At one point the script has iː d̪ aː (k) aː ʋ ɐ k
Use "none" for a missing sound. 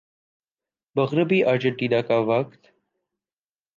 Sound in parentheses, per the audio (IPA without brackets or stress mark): k